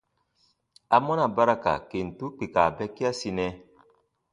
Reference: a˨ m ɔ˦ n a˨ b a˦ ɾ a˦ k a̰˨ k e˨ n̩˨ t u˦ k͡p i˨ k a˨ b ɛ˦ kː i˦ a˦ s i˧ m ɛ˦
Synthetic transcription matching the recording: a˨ m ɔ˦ n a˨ b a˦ ɾ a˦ k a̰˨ k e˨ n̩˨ t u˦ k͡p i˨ k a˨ b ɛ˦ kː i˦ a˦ s i˧ n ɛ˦